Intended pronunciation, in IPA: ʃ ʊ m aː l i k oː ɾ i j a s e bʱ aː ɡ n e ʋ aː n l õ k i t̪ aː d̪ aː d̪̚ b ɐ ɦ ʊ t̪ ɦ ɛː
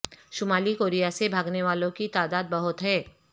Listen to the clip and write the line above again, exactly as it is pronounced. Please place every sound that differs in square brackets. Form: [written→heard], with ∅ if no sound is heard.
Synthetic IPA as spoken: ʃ ʊ m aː l i k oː ɾ i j a s e bʱ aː ɡ n e ʋ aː [n→∅] l õ k i t̪ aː d̪ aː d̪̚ b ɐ ɦ ʊ t̪ ɦ ɛː